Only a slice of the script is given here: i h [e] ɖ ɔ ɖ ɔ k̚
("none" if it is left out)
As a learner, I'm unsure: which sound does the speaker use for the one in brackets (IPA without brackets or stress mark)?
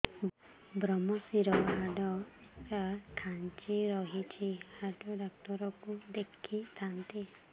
a